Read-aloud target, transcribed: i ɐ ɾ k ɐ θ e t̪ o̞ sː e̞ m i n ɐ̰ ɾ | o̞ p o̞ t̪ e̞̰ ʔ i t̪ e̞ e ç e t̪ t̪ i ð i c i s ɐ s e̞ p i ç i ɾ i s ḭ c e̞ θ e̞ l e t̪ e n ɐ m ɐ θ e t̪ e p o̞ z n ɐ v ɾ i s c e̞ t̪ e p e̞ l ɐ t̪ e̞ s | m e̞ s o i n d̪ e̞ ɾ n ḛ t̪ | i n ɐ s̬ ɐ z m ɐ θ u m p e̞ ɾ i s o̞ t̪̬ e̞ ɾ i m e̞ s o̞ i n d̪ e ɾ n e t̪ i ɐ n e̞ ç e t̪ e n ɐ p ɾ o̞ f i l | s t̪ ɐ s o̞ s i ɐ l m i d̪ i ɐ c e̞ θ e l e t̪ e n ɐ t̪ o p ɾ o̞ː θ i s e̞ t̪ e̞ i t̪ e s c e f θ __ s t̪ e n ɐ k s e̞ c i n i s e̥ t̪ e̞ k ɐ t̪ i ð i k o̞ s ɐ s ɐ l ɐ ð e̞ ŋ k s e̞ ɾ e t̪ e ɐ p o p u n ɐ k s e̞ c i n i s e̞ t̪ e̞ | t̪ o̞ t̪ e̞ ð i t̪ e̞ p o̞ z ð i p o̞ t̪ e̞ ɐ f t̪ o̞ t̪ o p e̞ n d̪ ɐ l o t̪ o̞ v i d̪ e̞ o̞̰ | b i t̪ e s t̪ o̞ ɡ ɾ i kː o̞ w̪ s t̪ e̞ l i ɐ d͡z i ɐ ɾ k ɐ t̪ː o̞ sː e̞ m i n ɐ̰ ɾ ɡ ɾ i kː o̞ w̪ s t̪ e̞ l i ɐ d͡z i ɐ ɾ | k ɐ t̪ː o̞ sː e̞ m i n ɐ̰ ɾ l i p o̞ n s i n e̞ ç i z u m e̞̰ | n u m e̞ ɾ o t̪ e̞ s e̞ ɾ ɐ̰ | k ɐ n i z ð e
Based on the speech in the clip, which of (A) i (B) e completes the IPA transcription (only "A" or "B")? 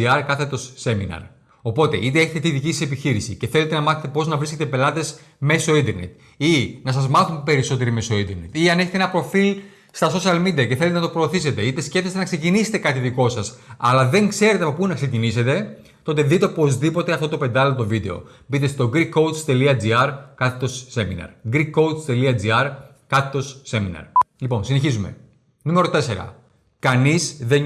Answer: B